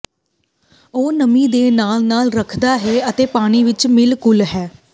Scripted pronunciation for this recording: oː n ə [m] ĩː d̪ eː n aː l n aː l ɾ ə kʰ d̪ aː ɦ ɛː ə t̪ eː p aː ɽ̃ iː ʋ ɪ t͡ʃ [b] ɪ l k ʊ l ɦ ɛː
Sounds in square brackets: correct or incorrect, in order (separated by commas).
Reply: correct, incorrect